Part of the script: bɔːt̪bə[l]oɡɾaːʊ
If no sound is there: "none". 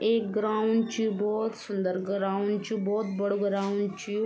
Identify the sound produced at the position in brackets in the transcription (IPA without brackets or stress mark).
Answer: ɽ